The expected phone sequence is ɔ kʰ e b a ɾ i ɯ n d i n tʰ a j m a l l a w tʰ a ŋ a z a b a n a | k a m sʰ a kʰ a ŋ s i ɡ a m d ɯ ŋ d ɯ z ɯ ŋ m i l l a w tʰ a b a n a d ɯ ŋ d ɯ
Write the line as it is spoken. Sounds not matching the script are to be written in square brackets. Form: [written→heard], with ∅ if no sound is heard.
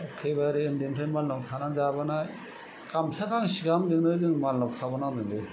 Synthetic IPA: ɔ kʰ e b a ɾ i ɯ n d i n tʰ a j m a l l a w tʰ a [ŋ→n] a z a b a n a | k a m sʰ a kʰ a ŋ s i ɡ a m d ɯ ŋ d ɯ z ɯ ŋ m [i→a] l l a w tʰ a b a n a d ɯ ŋ d ɯ